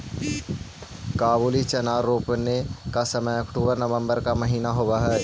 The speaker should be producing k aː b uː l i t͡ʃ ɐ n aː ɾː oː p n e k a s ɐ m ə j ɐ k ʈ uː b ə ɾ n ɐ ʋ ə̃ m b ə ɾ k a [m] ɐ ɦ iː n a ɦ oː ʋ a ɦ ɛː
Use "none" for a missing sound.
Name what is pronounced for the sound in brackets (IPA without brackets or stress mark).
m